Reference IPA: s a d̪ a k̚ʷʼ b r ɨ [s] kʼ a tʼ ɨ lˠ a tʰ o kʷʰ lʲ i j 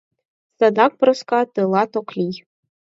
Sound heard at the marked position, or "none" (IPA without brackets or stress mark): s